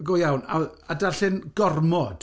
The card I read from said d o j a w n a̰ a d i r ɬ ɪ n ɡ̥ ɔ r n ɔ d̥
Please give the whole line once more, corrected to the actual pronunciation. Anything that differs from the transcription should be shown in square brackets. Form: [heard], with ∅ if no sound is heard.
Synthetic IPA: [ɡ] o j a w n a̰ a d [a] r ɬ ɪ n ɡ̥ ɔ r [m] ɔ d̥